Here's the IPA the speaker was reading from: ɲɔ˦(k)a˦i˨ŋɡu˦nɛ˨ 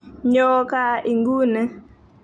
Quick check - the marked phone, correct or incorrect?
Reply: correct